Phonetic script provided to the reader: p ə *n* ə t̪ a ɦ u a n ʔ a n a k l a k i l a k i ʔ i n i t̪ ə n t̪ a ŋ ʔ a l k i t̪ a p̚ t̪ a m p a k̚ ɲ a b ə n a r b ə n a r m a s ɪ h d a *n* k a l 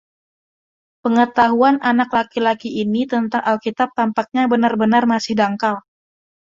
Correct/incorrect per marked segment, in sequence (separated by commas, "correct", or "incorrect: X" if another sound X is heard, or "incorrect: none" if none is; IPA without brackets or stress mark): incorrect: ŋ, incorrect: ŋ